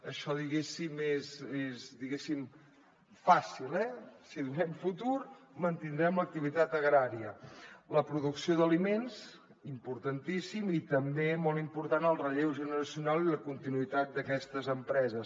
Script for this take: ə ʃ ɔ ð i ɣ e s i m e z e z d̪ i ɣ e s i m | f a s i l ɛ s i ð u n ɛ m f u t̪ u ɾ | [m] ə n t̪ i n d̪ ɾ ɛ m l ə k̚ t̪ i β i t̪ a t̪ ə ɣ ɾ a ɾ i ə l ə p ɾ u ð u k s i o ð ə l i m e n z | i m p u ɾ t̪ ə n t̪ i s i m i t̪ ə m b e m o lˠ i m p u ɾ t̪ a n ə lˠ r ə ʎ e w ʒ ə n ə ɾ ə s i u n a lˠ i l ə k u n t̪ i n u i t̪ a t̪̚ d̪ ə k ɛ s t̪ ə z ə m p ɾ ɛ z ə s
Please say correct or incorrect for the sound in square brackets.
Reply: correct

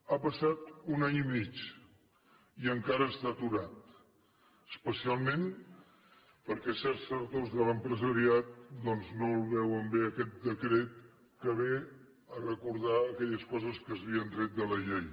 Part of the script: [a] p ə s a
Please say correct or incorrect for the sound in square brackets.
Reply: correct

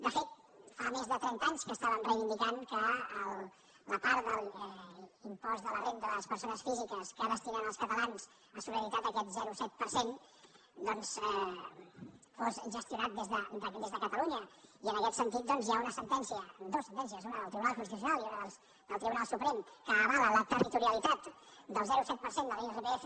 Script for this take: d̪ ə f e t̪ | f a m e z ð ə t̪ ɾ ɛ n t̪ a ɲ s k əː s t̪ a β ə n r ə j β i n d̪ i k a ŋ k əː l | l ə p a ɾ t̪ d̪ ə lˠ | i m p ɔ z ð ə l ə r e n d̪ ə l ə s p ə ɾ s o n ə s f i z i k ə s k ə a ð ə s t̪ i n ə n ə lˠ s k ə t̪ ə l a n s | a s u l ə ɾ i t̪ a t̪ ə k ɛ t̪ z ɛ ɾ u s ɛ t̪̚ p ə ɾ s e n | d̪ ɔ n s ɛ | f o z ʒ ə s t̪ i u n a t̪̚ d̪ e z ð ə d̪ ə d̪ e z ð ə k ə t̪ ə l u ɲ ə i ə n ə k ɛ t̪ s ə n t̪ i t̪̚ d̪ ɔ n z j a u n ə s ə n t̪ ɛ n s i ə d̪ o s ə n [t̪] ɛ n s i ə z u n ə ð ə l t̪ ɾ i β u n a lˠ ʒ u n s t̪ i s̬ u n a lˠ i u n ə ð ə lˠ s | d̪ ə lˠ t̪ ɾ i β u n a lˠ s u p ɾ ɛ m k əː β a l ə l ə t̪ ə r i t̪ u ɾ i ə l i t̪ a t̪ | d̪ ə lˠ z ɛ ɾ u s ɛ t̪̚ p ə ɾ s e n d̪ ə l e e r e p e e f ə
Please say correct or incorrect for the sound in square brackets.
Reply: correct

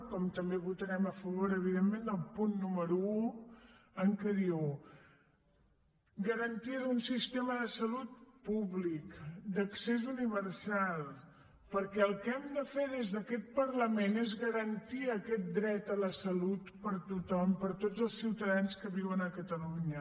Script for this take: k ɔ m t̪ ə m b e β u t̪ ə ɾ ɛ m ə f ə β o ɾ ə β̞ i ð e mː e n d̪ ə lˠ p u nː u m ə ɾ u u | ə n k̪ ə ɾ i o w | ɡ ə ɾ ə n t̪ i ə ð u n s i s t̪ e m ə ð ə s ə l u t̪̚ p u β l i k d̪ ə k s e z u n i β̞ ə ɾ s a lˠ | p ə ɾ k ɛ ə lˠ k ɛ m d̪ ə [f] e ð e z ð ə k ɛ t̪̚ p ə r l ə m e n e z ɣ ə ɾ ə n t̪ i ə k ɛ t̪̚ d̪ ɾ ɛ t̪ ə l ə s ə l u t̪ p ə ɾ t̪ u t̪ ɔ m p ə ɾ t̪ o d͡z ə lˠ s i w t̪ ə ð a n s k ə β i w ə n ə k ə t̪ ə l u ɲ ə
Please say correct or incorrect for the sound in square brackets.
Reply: correct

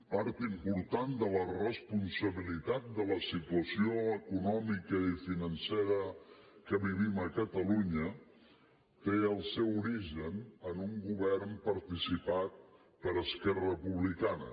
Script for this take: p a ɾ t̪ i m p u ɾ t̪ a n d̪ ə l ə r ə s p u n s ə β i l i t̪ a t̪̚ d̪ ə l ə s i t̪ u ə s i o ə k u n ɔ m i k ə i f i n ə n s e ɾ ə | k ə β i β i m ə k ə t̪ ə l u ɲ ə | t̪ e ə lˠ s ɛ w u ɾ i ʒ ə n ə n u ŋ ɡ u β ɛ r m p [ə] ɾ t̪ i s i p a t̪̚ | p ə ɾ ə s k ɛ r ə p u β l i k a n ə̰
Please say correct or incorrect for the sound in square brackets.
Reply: correct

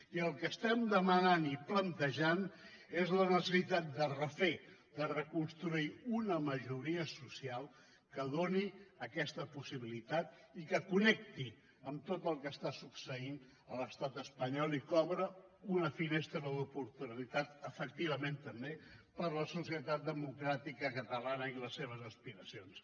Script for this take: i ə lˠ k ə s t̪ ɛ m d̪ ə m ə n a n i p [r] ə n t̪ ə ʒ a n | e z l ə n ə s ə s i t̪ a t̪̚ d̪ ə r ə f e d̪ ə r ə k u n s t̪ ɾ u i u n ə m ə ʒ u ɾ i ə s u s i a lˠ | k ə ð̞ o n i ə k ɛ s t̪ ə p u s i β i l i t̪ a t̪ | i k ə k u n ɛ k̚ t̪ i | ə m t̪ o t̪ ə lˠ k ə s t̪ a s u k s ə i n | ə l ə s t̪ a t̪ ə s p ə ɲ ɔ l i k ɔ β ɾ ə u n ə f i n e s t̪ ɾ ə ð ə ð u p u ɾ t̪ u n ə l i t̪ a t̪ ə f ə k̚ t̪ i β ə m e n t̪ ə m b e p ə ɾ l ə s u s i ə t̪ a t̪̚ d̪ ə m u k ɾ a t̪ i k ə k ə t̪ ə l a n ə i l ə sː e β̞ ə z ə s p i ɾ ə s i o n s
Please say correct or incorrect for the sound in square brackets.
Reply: incorrect: l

